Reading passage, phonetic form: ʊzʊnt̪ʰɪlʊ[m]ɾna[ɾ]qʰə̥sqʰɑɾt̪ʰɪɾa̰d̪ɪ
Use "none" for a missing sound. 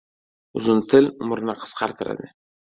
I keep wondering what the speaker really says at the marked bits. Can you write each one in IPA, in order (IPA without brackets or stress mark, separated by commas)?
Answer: m, none